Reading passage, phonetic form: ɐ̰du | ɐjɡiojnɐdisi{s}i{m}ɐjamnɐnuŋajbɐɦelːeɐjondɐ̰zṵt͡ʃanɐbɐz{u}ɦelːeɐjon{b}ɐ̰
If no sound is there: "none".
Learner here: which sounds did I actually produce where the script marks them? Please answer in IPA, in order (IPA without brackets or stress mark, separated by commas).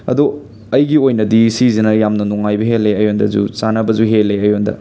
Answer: z, n, u, d